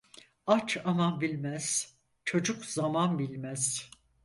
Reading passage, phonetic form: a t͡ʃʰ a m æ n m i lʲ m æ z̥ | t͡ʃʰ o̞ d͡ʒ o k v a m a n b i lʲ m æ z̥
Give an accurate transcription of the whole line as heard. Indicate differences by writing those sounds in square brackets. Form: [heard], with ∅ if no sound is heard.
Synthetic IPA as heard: a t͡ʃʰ a m [a] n [b] i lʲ m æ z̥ | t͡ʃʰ o̞ d͡ʒ [u] k [z] a m a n b i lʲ m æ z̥